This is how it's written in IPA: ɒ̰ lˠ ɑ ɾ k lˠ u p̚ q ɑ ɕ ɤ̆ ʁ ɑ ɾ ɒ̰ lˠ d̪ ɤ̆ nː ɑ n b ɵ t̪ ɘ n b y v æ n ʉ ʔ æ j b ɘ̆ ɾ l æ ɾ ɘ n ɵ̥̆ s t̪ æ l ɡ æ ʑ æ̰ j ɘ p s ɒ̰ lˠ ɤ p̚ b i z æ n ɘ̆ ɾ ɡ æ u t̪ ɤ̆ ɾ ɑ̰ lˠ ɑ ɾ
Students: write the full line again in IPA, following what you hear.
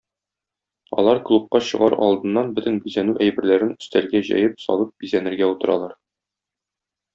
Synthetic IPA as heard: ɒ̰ lˠ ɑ ɾ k lˠ u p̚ q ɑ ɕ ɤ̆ ʁ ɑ ɾ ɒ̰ lˠ d̪ ɤ̆ nː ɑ n b ɵ t̪ ɘ n b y z æ n ʉ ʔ æ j b ɘ̆ ɾ l æ ɾ ɘ n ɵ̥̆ s t̪ æ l ɡ æ ʑ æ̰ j ɘ p s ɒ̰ lˠ ɤ p̚ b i z æ n ɘ̆ ɾ ɡ æ u t̪ ɤ̆ ɾ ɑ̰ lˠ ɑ ɾ